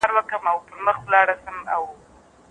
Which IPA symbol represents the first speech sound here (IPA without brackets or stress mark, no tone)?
ɾ